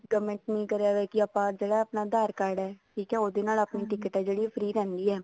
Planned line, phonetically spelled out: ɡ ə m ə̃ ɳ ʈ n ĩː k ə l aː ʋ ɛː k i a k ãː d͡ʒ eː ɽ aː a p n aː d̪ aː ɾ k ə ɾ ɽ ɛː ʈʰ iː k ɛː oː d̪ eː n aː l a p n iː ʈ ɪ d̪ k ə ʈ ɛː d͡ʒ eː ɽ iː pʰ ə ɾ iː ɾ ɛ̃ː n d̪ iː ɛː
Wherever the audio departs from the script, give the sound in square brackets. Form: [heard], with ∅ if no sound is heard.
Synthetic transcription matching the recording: ɡ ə m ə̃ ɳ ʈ n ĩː k ə [ɾ] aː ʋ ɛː k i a [p] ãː d͡ʒ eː ɽ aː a p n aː d̪ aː ɾ k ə ɾ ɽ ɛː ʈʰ iː k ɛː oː d̪ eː n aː l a p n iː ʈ ɪ [∅] k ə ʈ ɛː d͡ʒ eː ɽ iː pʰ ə ɾ iː ɾ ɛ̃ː n d̪ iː ɛː